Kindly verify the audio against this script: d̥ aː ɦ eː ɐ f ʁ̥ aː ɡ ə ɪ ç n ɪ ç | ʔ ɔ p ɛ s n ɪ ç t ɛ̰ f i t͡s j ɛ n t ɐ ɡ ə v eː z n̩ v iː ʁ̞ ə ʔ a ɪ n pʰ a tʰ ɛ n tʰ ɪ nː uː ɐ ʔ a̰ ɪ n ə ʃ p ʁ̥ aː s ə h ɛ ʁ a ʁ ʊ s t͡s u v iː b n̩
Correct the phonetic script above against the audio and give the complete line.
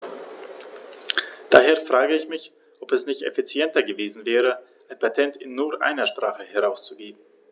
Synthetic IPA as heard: d̥ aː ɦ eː ɐ f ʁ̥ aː ɡ ə ɪ ç m ɪ ç | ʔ ɔ p ɛ s n ɪ ç t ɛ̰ f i t͡s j ɛ n t ɐ ɡ ə v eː z n̩ v ɛː ʁ̞ ə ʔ a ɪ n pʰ a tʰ ɛ n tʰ ɪ nː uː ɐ ʔ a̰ ɪ n ɐ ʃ p ʁ̥ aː χ ə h ɛ ʁ a ʊ s t͡s u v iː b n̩